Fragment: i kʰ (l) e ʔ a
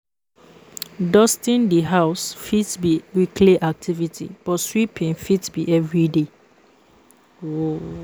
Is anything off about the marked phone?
no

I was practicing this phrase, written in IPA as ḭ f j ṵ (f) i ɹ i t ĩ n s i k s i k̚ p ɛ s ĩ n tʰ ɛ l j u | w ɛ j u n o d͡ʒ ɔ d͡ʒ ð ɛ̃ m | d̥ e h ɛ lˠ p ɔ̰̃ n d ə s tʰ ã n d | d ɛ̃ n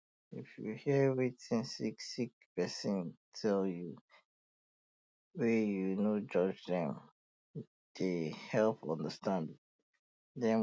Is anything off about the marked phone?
yes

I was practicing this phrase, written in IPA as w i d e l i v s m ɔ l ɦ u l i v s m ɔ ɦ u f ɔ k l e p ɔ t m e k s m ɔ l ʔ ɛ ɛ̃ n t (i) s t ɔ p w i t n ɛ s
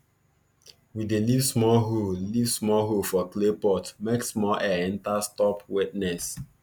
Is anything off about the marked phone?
yes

